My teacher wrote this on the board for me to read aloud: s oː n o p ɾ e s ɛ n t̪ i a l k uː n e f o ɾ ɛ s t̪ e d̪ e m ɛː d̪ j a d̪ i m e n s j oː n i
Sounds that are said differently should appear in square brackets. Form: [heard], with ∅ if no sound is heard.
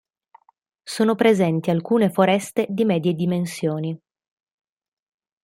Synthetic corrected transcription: s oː n o p ɾ e [z] ɛ n t̪ i a l k uː n e f o ɾ ɛ s t̪ e d̪ [i] m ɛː d̪ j [e] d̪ i m e n s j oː n i